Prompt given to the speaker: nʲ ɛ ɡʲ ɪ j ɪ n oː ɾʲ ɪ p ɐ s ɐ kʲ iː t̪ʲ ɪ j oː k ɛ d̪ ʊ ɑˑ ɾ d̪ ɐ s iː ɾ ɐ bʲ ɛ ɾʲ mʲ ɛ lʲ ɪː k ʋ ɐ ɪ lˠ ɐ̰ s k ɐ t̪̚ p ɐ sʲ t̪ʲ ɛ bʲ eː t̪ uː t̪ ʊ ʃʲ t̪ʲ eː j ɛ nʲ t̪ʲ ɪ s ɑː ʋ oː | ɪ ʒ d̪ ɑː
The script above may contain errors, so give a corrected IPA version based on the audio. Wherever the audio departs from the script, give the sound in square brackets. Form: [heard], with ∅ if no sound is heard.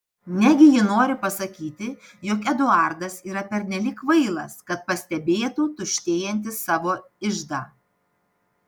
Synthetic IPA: nʲ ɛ ɡʲ ɪ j ɪ n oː ɾʲ ɪ p ɐ s ɐ kʲ iː t̪ʲ ɪ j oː k ɛ d̪ ʊ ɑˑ ɾ d̪ ɐ s iː ɾ ɐ [pʲ] ɛ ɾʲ [nʲ] ɛ lʲ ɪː k ʋ ɐ ɪ lˠ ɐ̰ s k ɐ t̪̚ p ɐ sʲ t̪ʲ ɛ bʲ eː t̪ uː t̪ ʊ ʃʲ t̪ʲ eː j ɛ nʲ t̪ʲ ɪ s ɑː ʋ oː | ɪ ʒ d̪ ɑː